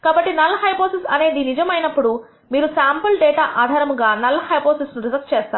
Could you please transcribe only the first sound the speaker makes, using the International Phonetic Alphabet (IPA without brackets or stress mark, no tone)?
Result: k